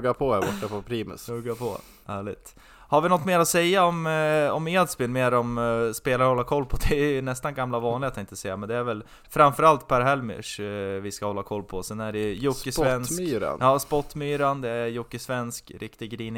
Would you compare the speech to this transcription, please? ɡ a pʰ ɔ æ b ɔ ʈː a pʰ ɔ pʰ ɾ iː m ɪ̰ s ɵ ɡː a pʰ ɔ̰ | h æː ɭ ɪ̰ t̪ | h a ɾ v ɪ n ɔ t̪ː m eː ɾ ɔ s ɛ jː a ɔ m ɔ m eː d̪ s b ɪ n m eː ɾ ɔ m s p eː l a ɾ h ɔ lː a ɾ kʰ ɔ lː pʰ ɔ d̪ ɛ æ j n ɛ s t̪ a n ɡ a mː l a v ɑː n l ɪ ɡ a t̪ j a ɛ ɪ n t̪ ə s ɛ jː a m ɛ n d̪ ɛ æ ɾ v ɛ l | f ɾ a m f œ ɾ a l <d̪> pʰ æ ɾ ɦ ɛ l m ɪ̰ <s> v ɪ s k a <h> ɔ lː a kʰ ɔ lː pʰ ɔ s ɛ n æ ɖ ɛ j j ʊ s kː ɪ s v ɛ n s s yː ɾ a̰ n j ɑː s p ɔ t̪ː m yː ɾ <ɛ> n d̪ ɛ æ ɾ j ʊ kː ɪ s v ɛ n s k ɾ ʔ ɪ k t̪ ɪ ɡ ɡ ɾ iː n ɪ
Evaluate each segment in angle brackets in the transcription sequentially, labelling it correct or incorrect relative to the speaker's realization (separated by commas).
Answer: incorrect, incorrect, correct, incorrect